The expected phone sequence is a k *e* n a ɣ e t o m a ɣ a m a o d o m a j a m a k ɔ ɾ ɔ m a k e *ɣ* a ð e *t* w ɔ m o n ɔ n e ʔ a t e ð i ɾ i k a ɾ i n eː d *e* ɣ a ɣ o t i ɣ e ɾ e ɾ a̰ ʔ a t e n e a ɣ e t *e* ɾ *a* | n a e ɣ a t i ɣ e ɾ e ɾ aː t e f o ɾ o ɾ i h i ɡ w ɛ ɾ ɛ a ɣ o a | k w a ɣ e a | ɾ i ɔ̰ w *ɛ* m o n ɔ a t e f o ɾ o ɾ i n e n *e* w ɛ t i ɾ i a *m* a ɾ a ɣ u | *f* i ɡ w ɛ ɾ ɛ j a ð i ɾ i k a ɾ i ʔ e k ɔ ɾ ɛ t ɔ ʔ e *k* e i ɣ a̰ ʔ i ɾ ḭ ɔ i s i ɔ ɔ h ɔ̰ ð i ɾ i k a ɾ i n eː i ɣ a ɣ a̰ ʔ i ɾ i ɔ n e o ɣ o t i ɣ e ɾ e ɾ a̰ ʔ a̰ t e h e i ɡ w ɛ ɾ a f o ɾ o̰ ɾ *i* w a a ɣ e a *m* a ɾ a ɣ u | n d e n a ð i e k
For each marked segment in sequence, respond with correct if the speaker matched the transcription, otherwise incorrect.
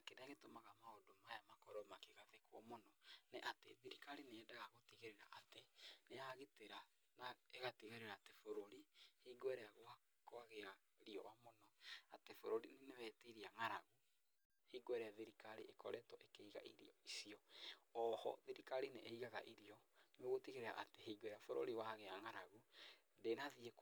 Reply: correct, correct, incorrect: k, incorrect: a, correct, correct, incorrect: a, correct, incorrect: ŋ, incorrect: h, correct, correct, incorrect: ŋ

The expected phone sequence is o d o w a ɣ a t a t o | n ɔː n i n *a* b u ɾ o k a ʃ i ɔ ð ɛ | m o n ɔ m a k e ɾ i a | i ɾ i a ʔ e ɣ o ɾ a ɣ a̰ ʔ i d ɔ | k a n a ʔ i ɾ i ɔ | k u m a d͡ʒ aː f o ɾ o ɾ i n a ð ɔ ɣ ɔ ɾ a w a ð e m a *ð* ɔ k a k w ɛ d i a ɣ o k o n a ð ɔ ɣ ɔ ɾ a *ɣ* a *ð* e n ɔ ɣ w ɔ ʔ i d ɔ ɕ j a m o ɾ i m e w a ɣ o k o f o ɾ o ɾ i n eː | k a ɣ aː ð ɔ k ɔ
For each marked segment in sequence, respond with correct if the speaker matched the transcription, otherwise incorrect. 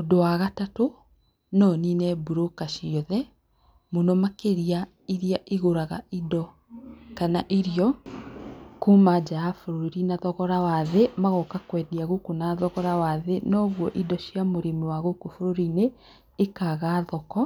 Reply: incorrect: ɛ, incorrect: ɣ, incorrect: w, correct

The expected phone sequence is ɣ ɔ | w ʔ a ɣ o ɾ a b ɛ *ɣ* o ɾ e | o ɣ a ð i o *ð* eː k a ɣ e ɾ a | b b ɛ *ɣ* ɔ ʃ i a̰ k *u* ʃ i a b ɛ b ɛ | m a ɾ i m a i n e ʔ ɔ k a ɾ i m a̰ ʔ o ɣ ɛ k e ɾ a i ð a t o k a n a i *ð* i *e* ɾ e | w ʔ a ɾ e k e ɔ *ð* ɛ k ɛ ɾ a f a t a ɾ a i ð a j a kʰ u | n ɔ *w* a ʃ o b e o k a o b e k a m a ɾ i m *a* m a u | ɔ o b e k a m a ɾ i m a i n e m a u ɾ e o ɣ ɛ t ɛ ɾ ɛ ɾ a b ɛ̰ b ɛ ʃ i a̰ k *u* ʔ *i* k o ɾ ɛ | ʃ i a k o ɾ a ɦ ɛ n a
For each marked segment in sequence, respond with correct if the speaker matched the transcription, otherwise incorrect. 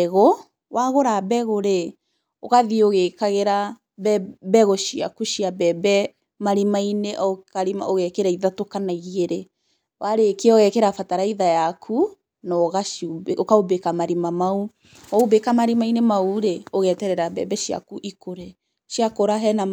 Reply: correct, incorrect: ɣ, correct, correct, incorrect: ɣ, correct, incorrect: ɣ, incorrect: ɣ, correct, correct, correct

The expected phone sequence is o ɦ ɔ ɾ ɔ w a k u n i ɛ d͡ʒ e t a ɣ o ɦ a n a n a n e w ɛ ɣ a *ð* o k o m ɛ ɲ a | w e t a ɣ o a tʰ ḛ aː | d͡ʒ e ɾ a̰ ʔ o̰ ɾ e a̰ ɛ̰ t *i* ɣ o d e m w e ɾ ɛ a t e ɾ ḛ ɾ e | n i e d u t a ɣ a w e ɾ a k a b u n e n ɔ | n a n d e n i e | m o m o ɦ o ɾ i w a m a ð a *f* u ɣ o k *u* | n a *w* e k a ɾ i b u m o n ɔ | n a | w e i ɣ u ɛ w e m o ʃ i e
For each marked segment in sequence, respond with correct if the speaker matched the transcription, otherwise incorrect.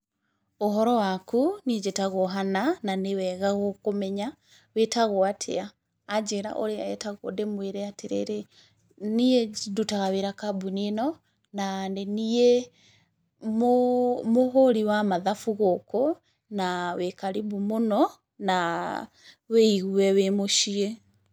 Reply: incorrect: ɣ, incorrect: a, correct, incorrect: o, correct

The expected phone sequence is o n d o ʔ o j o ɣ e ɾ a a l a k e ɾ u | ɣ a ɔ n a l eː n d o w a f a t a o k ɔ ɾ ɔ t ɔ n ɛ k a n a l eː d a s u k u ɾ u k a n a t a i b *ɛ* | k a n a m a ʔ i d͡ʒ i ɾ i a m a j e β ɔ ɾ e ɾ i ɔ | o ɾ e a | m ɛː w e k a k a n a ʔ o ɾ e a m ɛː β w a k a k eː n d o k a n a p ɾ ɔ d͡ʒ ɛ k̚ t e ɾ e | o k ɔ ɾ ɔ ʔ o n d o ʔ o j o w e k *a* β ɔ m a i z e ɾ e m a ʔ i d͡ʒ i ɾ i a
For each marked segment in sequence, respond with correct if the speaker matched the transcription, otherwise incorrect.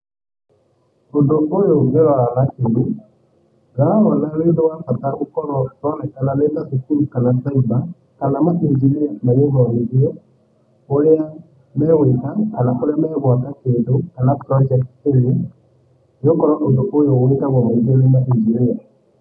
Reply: incorrect: a, correct

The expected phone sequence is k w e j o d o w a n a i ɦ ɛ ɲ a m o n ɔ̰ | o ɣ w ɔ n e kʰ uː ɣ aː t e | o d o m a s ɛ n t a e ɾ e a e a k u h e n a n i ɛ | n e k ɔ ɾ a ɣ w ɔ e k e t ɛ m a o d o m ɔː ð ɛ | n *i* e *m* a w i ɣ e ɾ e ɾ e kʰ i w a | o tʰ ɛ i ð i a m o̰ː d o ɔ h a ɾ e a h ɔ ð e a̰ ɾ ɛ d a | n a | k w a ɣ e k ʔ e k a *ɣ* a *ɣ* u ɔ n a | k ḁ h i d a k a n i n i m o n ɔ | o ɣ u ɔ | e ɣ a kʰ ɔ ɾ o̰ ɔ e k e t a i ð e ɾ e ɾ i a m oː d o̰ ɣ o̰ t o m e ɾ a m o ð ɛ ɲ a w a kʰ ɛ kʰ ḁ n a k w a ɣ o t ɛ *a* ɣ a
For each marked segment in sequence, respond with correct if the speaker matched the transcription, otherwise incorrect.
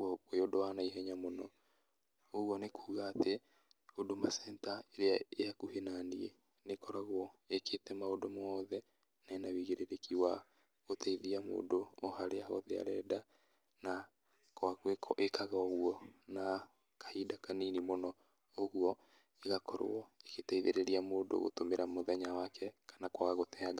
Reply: incorrect: a, incorrect: n, correct, correct, correct

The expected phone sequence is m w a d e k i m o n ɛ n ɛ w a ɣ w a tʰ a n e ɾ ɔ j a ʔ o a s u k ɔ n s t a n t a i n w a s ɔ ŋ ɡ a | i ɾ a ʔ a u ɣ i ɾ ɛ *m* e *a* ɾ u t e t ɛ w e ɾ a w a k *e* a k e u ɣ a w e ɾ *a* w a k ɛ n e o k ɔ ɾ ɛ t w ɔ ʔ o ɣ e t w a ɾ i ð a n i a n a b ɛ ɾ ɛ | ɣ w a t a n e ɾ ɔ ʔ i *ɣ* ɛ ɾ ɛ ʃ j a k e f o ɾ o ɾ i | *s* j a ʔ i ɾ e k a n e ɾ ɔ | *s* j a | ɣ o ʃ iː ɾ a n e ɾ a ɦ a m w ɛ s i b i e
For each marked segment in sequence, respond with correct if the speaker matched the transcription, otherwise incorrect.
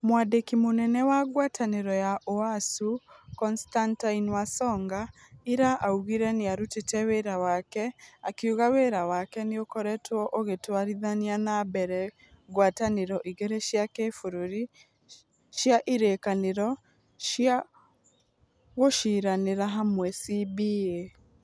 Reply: incorrect: n, correct, incorrect: ɛ, correct, correct, incorrect: ʃ, incorrect: ʃ

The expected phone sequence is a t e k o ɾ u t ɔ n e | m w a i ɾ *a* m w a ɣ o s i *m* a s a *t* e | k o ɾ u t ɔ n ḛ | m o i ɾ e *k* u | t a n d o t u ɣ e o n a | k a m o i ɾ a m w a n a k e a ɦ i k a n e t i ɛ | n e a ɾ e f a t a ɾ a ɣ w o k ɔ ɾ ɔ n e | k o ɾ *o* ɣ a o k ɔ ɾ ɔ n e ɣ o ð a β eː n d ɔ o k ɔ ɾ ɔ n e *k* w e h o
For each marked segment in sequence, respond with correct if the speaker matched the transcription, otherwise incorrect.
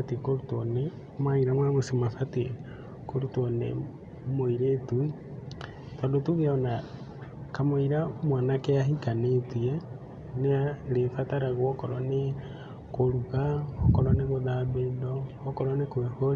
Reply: correct, correct, correct, incorrect: t, incorrect: u, correct

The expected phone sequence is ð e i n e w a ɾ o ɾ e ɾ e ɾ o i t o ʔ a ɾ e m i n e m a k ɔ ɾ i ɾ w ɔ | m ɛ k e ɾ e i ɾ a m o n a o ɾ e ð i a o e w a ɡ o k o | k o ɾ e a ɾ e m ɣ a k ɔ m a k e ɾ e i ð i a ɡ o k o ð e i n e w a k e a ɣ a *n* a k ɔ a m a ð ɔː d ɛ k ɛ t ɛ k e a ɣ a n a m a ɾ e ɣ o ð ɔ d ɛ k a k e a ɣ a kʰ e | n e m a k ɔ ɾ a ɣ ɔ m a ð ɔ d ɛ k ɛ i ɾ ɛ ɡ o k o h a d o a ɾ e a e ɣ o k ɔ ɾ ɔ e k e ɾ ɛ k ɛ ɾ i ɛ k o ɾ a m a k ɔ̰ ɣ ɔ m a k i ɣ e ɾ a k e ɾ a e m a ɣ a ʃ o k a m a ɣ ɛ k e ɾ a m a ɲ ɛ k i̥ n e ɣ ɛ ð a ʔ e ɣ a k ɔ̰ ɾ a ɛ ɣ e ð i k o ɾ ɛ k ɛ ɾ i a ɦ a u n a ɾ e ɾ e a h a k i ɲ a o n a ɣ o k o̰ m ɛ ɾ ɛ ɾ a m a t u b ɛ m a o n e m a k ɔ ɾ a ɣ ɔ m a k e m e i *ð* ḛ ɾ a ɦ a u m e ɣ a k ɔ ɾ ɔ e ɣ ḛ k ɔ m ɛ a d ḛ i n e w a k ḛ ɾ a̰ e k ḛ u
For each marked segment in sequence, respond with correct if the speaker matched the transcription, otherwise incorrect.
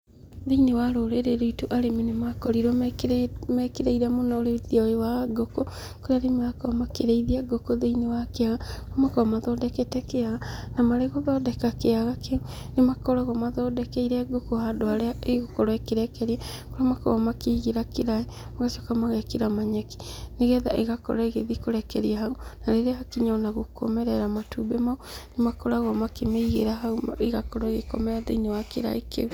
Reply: incorrect: m, incorrect: ɣ

